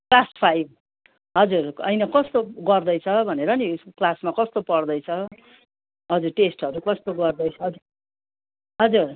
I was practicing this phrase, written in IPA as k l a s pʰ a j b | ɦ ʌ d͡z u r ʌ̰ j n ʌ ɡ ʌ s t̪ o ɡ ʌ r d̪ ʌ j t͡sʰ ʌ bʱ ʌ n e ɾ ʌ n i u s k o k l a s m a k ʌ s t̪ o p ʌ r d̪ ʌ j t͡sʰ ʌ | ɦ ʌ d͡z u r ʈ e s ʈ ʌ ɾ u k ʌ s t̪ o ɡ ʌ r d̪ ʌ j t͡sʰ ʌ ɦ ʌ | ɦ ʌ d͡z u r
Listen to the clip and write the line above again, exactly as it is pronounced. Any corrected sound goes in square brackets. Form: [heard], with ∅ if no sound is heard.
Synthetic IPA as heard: k l a s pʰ a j b | ɦ ʌ d͡z u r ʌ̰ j n ʌ [k] ʌ s t̪ o ɡ ʌ r d̪ ʌ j t͡sʰ ʌ bʱ ʌ n e ɾ ʌ n i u s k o k l a s m a k ʌ s t̪ o p ʌ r d̪ ʌ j t͡sʰ ʌ | ɦ ʌ d͡z u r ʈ e s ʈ ʌ ɾ u k ʌ s t̪ o ɡ ʌ r d̪ ʌ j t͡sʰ ʌ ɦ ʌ | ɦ ʌ d͡z u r